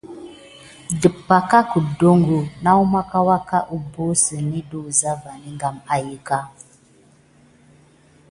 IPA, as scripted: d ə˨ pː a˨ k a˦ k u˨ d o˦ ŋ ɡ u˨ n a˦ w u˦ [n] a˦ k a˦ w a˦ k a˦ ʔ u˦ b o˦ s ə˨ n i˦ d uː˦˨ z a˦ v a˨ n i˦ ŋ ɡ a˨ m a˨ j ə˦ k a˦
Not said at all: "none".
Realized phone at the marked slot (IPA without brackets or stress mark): m